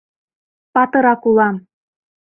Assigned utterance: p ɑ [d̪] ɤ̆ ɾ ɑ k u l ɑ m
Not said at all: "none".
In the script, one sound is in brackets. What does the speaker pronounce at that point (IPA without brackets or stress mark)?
t̪